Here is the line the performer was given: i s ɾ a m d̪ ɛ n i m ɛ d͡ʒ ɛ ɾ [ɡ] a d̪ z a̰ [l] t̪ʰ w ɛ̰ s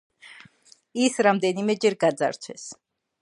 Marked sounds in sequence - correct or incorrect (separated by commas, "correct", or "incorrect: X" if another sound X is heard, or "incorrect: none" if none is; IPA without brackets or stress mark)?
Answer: correct, incorrect: ɾ